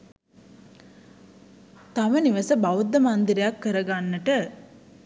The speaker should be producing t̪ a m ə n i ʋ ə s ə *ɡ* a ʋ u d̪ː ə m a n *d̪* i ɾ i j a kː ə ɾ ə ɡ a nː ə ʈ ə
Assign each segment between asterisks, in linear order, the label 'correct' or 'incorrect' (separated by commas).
incorrect, correct